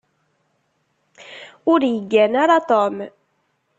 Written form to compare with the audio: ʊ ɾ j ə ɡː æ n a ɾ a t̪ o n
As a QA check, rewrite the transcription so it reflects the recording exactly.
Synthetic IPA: ʊ ɾ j ə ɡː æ n a ɾ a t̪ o m